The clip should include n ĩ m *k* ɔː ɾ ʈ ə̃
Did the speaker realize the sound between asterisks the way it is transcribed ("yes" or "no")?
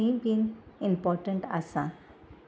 no